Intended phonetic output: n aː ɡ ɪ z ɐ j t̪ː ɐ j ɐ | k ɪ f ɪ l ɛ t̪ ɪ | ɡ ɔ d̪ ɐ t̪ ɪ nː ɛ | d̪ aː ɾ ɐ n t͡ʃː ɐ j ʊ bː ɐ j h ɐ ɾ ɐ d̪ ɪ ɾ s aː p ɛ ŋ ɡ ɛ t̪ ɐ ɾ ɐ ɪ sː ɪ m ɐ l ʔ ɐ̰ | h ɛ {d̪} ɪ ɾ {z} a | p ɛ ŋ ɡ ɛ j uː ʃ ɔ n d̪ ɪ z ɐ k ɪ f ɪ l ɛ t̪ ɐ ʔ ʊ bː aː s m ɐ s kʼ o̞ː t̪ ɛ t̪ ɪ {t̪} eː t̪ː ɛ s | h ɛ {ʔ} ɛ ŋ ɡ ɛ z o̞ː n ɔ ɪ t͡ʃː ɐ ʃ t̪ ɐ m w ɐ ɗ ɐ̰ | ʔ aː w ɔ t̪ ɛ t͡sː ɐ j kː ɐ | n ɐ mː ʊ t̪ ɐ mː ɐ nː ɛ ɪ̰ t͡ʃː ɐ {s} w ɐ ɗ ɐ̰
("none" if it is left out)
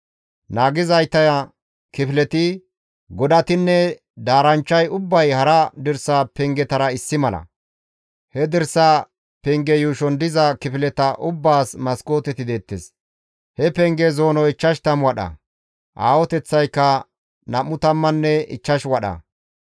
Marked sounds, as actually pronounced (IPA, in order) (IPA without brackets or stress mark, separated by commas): d̪, s, d̪, p, ʃ